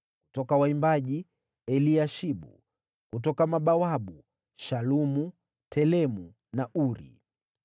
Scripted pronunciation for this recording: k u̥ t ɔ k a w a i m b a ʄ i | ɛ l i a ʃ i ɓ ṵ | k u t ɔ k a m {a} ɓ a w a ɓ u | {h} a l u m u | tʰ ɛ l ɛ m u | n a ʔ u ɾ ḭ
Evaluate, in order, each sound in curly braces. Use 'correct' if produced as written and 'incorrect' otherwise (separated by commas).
correct, incorrect